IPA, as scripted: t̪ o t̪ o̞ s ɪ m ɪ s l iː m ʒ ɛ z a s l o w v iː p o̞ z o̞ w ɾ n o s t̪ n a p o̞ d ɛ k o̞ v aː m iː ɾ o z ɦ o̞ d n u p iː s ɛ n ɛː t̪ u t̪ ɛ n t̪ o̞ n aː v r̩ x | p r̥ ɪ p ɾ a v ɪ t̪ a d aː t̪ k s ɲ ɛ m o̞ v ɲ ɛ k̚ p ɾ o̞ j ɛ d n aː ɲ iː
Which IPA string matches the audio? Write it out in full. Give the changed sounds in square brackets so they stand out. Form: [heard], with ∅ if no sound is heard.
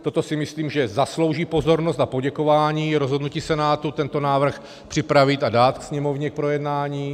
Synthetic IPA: t̪ o t̪ o̞ s ɪ m ɪ s l iː m ʒ ɛ z a s l o w [ʒ] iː p o̞ z o̞ [∅] ɾ n o s t̪ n a p o̞ [ɟ] ɛ k o̞ v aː [ɲ] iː ɾ o z ɦ o̞ d n u [c] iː s ɛ n [aː] t̪ u t̪ ɛ n t̪ o̞ n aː v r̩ x | p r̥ ɪ p ɾ a v ɪ t̪ a d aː t̪ k s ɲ ɛ m o̞ v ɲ ɛ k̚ p ɾ o̞ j ɛ d n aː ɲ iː